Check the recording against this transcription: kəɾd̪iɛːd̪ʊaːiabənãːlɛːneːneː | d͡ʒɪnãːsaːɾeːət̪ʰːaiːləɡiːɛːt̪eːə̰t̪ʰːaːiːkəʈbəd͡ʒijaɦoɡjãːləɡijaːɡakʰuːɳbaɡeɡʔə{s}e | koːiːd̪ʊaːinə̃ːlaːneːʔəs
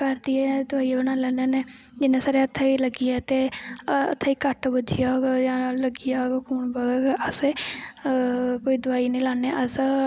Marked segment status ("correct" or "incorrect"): correct